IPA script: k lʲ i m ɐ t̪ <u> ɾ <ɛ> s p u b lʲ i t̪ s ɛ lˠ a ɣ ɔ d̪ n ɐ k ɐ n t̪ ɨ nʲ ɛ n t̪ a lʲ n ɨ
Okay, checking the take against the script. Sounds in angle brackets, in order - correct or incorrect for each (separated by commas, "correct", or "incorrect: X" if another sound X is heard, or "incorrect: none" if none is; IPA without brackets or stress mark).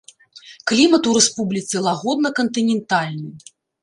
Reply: correct, correct